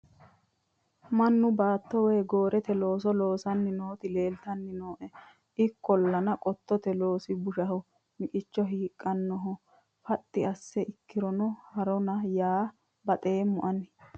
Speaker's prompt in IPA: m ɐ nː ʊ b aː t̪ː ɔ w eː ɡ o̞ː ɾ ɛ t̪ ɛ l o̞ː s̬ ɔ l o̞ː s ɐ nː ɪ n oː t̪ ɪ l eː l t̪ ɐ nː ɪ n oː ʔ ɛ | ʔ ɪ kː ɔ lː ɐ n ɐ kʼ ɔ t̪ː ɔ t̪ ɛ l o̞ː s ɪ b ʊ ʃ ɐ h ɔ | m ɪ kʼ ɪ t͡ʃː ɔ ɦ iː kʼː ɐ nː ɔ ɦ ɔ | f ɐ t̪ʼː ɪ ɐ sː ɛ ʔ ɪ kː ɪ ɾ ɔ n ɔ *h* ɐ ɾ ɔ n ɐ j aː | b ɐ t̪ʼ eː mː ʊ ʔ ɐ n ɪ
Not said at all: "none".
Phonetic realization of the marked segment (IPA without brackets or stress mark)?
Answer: h